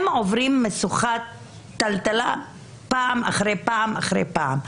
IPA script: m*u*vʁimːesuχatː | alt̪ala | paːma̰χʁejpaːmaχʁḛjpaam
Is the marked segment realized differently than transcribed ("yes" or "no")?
yes